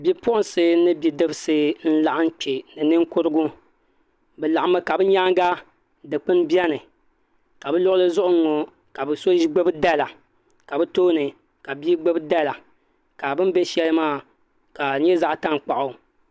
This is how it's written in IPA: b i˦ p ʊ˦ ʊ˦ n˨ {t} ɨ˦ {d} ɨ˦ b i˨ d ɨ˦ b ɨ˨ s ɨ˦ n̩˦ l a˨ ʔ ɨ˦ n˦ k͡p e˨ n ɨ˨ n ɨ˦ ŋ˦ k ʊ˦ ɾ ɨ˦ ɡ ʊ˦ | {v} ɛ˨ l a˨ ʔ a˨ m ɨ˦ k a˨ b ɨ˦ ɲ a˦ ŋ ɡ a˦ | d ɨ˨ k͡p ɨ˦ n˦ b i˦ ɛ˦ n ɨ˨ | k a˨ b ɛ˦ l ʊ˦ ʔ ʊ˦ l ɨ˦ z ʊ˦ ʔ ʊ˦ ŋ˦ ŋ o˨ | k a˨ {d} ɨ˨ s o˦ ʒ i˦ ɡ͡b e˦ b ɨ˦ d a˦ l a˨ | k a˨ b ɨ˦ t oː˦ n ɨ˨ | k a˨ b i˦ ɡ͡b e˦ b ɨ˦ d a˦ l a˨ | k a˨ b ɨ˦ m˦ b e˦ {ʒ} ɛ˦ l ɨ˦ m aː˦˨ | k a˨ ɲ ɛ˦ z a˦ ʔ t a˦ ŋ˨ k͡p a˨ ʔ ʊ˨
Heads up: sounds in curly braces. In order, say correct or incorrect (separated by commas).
incorrect, incorrect, incorrect, incorrect, incorrect